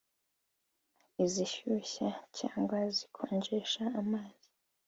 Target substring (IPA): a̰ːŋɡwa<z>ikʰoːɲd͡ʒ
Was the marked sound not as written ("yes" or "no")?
no